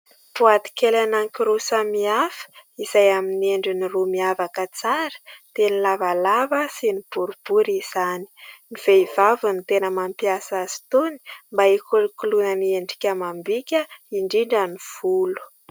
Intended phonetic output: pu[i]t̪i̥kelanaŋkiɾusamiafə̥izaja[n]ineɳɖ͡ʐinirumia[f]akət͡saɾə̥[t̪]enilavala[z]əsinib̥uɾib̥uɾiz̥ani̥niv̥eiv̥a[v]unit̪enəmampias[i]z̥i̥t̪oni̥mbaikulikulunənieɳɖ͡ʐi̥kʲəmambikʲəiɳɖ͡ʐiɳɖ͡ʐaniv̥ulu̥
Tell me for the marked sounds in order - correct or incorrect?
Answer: incorrect, incorrect, incorrect, correct, incorrect, correct, incorrect

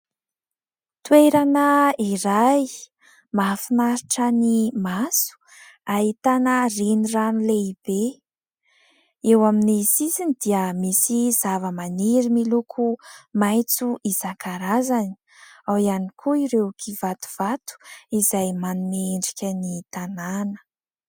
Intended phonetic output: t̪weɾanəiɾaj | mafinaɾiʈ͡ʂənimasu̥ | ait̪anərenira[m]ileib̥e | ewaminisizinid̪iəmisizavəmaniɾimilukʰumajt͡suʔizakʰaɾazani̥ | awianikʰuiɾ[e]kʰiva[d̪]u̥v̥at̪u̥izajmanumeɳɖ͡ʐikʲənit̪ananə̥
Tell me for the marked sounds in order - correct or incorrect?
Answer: incorrect, correct, incorrect

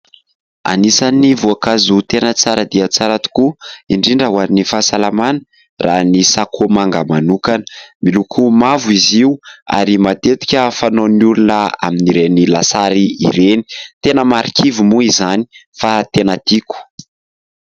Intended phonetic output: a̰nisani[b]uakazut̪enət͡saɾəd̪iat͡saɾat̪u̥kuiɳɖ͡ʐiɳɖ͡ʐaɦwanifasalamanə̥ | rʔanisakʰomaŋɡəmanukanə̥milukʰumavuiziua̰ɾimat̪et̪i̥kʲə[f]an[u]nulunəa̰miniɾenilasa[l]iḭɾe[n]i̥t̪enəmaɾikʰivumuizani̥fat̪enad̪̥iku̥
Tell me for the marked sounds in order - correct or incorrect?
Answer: incorrect, correct, incorrect, incorrect, correct

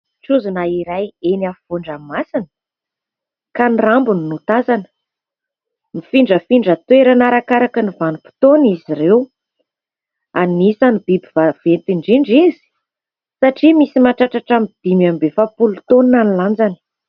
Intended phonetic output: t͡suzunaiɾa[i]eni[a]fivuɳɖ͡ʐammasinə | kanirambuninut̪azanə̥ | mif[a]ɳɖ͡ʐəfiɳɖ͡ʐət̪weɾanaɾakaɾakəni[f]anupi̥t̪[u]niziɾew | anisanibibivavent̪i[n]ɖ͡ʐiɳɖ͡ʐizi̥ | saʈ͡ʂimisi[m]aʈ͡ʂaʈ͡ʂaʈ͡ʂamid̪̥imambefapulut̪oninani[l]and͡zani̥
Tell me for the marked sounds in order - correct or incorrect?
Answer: incorrect, correct, incorrect, incorrect, incorrect, incorrect, correct, correct

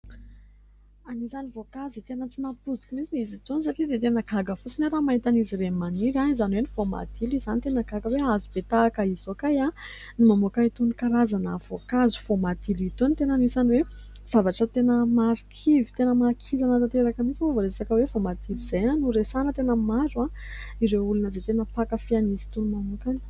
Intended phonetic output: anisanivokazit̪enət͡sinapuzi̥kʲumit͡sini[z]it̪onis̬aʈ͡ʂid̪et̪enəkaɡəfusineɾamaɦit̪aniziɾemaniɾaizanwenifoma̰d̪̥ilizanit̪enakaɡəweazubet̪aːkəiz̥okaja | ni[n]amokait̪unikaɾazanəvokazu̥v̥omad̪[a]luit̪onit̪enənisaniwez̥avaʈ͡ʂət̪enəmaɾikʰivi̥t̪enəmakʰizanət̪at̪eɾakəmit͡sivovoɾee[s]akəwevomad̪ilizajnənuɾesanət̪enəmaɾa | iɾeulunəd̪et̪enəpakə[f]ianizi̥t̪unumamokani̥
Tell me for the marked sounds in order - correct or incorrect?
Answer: correct, incorrect, incorrect, correct, correct

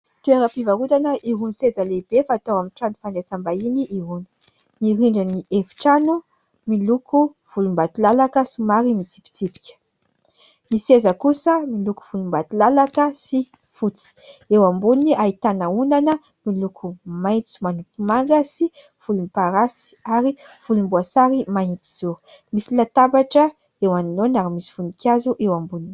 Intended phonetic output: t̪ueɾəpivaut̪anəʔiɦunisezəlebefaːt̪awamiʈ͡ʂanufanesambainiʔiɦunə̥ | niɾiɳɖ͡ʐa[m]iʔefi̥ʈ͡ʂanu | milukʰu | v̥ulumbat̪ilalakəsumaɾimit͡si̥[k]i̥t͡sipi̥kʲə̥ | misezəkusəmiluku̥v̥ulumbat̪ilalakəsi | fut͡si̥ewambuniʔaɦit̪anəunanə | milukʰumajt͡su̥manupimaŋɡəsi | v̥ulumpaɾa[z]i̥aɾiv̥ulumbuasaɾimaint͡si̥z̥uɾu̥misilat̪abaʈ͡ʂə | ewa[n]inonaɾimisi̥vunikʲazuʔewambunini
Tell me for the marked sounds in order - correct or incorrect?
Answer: incorrect, incorrect, incorrect, correct

